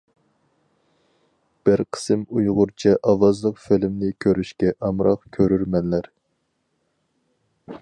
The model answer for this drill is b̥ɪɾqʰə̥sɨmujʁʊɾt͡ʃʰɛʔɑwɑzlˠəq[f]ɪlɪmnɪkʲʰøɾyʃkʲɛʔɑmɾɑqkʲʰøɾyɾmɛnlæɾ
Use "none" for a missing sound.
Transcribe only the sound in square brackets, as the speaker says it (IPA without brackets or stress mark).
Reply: f